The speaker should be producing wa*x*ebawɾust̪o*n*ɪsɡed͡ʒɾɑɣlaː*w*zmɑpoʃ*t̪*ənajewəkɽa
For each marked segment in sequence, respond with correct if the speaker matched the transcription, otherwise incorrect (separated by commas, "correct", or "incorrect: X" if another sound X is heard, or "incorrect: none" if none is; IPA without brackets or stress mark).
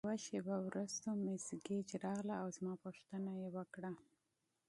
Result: incorrect: ʃ, incorrect: m, correct, correct